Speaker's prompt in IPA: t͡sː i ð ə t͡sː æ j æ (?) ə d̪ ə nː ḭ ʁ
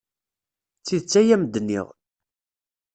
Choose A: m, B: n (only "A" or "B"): A